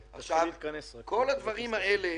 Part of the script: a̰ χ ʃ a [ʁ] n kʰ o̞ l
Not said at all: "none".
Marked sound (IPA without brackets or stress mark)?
v